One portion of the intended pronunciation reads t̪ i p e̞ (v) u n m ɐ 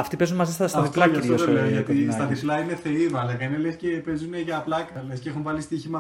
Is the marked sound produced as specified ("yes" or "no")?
no